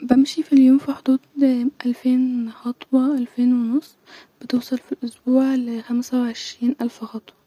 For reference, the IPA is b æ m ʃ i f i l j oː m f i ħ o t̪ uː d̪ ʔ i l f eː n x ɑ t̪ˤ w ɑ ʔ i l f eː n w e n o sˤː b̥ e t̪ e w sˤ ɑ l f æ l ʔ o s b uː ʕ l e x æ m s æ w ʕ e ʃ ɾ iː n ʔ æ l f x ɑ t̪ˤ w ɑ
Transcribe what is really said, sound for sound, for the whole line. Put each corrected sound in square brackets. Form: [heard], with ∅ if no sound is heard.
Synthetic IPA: b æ m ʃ i f i l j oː m f i ħ o [d̪] uː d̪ ʔ [æ] l f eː n x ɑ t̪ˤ w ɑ ʔ [æ] l f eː n w e n o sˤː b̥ e t̪ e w sˤ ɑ l f [i] l ʔ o s b uː ʕ l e x æ m s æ w ʕ e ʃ ɾ iː n ʔ æ l f x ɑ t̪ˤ w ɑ